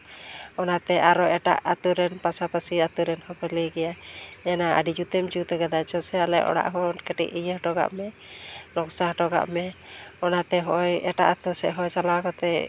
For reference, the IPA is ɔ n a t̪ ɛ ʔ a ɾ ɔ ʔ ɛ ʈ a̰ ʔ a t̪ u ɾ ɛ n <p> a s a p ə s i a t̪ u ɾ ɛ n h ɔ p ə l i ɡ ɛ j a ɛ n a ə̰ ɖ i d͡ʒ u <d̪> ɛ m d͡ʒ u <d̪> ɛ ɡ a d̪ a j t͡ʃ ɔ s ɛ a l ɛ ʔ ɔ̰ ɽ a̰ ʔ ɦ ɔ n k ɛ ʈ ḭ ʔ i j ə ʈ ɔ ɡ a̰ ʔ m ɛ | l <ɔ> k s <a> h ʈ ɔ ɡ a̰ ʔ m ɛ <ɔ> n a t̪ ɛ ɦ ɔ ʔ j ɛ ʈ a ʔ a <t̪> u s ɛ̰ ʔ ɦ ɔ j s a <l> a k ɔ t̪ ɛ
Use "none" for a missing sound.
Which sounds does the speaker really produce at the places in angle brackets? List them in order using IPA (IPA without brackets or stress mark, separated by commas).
p, t̪, t̪, ɔ, a, ɔ, t̪, l